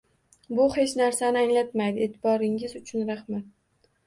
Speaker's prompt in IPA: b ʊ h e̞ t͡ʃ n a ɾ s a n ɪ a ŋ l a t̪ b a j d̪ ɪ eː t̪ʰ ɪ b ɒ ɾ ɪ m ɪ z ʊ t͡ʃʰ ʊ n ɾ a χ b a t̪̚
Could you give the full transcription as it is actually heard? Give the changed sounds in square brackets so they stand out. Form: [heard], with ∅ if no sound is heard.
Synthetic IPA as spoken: b ʊ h e̞ t͡ʃ n a ɾ s a n ɪ a ŋ l a t̪ [m] a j d̪ ɪ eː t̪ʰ ɪ b ɒ ɾ ɪ [ŋ] ɪ z ʊ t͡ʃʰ ʊ n ɾ a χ [m] a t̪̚